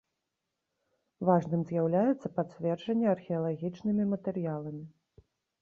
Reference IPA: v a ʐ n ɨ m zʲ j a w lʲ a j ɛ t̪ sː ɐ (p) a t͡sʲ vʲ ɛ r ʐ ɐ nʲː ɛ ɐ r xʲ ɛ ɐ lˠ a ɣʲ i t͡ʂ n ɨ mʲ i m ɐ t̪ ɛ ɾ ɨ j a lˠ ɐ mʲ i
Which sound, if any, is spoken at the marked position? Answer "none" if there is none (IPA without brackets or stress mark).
p